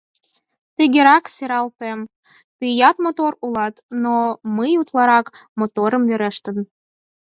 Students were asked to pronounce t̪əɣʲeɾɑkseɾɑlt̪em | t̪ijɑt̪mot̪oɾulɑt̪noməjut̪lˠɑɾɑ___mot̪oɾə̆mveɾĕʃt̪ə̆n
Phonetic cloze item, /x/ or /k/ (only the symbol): k